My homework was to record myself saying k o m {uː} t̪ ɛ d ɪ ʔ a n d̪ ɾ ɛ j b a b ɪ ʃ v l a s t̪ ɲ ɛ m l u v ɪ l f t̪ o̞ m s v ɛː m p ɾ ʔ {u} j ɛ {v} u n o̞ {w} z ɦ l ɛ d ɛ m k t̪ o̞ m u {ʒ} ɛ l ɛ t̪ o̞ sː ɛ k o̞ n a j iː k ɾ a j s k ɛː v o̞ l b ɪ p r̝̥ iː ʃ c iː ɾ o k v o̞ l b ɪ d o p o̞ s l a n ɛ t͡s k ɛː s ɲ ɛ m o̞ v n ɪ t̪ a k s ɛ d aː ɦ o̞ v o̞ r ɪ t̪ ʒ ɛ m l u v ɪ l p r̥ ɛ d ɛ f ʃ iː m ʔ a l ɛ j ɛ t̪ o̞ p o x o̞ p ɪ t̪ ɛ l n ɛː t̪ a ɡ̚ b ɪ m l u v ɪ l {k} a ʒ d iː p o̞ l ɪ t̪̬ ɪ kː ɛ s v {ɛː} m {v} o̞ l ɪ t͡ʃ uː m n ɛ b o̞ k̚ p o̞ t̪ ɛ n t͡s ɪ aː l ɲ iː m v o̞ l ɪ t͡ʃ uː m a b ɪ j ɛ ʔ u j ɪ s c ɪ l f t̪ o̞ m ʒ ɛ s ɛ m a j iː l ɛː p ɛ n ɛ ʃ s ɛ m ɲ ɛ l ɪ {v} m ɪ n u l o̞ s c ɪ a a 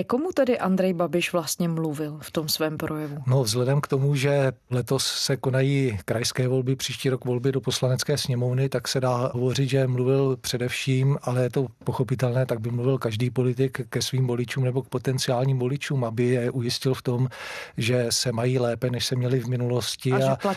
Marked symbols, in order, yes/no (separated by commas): no, no, yes, no, yes, yes, no, yes, yes